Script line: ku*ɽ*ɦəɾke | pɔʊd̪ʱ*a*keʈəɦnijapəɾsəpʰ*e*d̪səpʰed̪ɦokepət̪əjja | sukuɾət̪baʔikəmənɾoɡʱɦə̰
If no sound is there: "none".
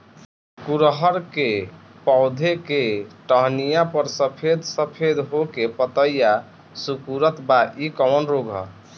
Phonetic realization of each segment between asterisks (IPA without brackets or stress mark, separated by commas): ɾ, e, e